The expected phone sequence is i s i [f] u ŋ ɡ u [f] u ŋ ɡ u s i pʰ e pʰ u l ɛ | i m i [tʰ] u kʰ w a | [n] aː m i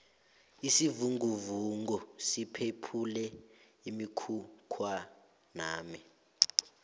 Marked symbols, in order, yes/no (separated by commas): no, no, no, yes